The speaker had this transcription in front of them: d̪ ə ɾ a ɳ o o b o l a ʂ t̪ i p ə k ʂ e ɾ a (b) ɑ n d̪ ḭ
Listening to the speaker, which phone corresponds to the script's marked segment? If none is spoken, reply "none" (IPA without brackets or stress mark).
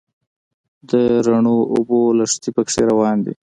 w